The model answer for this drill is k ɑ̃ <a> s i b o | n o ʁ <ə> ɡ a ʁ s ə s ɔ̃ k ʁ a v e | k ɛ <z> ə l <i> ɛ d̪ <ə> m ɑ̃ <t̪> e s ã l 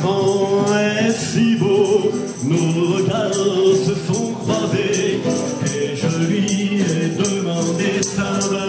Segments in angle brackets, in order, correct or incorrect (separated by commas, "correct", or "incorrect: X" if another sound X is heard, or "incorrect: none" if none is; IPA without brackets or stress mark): incorrect: ɛ, correct, incorrect: ʒ, correct, correct, incorrect: d̪